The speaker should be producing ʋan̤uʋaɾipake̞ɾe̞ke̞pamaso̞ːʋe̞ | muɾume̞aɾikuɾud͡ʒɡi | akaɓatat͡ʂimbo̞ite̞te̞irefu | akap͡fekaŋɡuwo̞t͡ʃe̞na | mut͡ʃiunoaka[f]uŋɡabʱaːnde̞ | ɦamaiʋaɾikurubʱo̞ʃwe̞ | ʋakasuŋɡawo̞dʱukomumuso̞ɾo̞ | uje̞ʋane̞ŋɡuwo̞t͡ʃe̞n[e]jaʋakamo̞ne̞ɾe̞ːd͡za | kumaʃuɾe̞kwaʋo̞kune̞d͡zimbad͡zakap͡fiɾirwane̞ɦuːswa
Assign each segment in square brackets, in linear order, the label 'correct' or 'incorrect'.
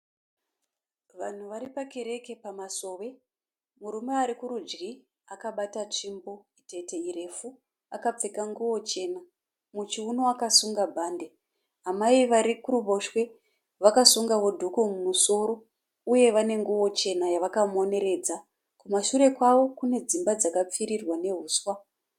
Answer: incorrect, incorrect

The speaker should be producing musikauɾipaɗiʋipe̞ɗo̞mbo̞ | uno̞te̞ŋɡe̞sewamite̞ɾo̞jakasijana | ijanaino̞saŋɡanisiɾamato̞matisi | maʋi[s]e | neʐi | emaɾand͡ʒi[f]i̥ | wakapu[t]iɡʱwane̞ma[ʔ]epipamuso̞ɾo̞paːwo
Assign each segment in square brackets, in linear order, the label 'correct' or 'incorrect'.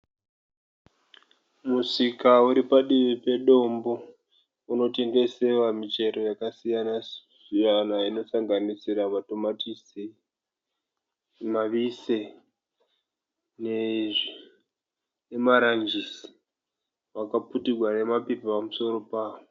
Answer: correct, incorrect, correct, incorrect

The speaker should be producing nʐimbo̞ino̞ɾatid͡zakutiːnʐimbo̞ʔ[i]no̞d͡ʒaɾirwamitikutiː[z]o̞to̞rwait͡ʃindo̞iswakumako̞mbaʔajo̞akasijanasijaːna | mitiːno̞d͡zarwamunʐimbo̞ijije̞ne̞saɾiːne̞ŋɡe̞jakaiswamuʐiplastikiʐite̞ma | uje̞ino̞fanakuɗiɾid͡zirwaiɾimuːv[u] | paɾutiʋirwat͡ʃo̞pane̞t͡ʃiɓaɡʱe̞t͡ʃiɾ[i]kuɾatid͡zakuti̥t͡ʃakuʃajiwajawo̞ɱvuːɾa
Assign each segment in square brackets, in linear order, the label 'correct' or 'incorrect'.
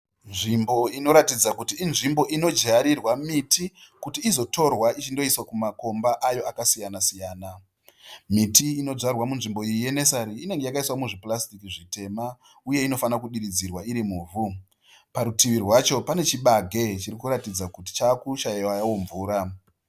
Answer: correct, correct, correct, correct

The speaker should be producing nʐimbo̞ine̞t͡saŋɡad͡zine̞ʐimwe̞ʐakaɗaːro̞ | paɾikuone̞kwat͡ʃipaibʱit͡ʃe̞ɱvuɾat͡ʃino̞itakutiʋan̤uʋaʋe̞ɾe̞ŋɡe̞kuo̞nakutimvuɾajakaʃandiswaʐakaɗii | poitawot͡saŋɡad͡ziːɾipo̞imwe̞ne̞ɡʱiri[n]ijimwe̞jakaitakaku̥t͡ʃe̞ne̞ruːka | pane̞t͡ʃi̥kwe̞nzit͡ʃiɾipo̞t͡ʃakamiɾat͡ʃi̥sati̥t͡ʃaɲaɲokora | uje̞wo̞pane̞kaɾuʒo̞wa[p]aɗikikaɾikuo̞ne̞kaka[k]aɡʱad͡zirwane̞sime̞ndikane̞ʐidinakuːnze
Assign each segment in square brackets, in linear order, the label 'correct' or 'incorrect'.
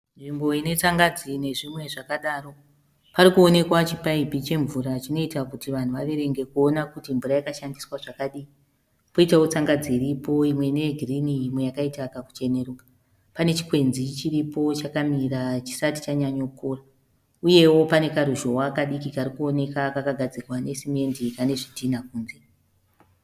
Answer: correct, incorrect, correct

